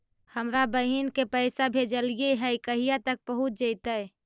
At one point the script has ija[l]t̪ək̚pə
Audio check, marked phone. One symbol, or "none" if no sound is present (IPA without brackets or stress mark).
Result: none